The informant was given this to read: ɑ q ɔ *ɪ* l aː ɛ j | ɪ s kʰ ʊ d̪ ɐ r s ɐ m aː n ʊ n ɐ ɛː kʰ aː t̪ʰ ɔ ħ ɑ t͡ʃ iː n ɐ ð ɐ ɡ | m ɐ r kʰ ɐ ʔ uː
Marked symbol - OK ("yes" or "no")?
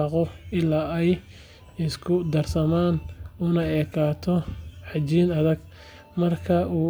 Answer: yes